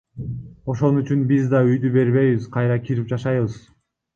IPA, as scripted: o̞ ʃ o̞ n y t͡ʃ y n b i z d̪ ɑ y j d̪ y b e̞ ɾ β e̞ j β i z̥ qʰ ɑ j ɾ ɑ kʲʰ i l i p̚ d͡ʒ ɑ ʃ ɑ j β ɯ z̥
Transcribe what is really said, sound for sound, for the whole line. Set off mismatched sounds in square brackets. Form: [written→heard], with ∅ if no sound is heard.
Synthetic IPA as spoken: o̞ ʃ o̞ n y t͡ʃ y n b i z d̪ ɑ y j d̪ y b e̞ ɾ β e̞ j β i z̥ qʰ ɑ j ɾ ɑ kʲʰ i [l→ɾ] i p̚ d͡ʒ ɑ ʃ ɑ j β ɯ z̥